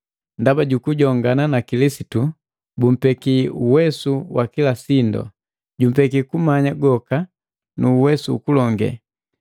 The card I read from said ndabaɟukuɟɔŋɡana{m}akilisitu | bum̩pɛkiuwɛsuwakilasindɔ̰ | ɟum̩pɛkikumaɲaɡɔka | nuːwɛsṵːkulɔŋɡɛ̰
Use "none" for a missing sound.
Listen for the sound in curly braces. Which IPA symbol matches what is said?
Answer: n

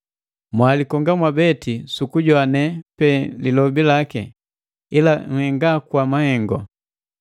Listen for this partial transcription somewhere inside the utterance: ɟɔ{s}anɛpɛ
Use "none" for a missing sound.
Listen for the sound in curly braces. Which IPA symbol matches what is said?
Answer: none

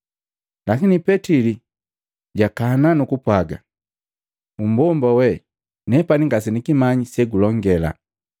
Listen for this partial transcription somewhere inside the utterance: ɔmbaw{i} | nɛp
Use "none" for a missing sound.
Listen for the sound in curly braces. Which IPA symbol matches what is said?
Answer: ɛ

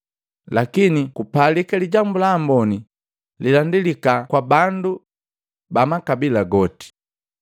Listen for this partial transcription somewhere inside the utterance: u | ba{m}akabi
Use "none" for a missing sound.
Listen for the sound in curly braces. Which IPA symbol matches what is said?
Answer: m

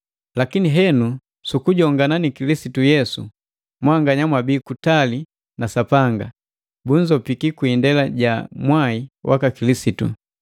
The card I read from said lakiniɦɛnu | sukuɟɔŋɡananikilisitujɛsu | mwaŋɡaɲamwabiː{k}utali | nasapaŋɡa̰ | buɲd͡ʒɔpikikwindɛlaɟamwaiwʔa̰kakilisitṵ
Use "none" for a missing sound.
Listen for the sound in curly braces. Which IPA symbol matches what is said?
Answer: k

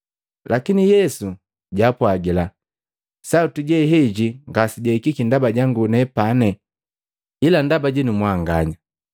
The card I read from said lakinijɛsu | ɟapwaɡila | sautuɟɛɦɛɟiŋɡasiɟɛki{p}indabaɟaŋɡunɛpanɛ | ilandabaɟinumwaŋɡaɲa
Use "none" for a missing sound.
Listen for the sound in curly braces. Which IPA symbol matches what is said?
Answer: k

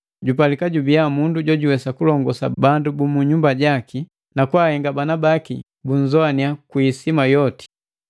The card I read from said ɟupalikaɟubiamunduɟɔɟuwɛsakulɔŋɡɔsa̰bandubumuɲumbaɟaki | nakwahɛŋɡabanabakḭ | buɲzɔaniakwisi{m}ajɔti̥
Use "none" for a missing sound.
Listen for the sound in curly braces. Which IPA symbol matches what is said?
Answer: m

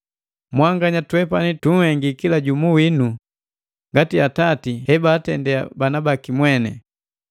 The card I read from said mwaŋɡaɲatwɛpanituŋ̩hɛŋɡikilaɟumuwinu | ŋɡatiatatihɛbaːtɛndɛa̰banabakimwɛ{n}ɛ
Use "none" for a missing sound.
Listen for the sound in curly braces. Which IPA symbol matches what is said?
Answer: n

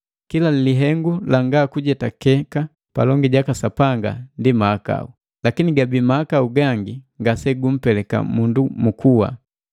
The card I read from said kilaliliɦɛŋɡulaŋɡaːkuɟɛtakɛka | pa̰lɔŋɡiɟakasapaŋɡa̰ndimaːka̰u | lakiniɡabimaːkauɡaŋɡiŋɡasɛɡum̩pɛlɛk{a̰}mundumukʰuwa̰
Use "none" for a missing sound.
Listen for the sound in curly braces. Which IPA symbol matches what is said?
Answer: a̰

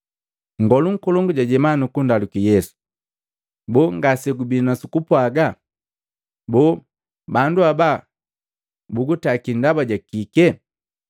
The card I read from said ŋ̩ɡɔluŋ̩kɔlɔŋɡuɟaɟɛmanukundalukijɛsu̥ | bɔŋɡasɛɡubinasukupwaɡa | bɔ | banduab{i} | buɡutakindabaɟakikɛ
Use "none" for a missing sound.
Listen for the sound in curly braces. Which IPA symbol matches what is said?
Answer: a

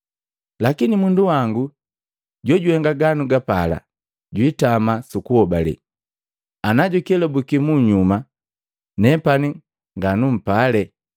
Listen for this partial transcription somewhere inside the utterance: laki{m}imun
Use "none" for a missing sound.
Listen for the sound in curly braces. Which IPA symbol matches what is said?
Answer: n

